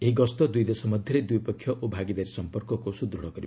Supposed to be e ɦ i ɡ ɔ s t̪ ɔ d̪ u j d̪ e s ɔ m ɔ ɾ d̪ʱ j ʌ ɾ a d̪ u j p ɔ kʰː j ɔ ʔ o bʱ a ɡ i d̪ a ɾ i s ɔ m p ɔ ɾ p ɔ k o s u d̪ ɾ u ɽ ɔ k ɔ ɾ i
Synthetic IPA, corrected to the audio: e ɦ i ɡ ɔ s t̪ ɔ d̪ u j d̪ e s ɔ m ɔ d̪ʱ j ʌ ɾ e d̪ u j p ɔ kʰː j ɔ ʔ o bʱ a ɡ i d̪ a ɾ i s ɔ m p ɔ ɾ k ɔ k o s u d̪ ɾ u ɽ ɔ k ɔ ɾ i